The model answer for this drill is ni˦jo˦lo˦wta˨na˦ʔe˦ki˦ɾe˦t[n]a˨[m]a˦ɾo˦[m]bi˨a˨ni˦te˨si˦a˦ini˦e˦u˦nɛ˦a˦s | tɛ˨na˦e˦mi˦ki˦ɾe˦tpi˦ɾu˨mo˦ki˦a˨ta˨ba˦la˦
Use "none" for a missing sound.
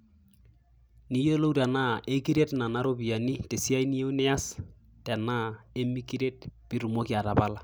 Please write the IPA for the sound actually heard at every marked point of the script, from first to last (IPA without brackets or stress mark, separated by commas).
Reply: n, n, none